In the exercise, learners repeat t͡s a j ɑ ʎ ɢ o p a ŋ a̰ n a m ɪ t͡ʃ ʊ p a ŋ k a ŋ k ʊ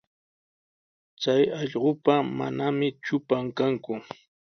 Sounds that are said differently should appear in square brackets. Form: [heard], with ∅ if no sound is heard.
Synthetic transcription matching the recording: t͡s a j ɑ ʎ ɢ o p a [m] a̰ n a m ɪ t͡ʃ ʊ p a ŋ k a ŋ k ʊ